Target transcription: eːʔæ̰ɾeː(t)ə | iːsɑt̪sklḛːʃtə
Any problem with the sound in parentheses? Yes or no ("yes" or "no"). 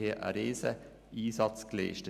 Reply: yes